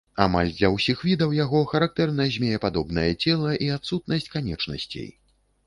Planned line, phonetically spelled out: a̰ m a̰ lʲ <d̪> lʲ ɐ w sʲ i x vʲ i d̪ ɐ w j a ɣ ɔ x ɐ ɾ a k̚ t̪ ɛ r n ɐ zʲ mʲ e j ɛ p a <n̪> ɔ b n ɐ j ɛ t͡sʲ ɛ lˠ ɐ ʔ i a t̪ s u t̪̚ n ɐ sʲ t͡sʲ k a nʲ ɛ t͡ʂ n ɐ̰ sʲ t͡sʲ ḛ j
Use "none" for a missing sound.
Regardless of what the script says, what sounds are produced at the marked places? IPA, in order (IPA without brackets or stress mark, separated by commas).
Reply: d̪, d̪